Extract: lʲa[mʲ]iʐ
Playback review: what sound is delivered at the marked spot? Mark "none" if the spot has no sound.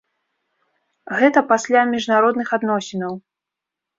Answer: mʲ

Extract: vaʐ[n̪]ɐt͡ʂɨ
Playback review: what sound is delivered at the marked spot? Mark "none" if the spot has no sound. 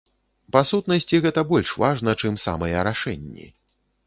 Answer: n̪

